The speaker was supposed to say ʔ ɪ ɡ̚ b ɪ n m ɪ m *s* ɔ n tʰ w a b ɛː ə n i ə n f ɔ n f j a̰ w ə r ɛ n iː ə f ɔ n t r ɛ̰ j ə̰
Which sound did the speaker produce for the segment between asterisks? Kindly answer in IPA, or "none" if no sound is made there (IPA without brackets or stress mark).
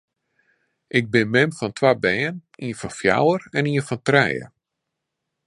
f